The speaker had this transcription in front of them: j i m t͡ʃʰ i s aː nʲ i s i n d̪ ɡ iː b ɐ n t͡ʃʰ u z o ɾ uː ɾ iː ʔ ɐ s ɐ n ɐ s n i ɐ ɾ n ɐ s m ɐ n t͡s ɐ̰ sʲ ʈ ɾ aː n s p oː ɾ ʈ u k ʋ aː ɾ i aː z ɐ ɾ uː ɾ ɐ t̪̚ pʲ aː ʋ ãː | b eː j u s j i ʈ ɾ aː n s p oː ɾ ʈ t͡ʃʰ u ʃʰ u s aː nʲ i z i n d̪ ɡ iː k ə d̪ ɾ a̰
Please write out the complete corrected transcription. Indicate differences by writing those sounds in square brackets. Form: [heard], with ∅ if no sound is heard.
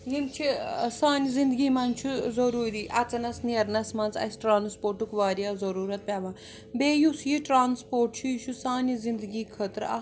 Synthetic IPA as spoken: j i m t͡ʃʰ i s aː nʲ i [z] i n d̪ ɡ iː [m] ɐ n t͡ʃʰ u z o ɾ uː ɾ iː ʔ ɐ [t͡s] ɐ n ɐ s n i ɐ ɾ n ɐ s m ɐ n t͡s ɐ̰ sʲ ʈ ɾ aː n s p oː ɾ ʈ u k ʋ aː ɾ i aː z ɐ ɾ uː ɾ ɐ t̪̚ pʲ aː ʋ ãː | b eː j u s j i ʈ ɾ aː n s p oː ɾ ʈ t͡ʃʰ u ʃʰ u s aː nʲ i z i n d̪ ɡ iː [kʰ] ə [t̪] ɾ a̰